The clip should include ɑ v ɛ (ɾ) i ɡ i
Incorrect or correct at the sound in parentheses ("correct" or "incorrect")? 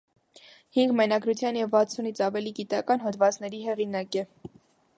incorrect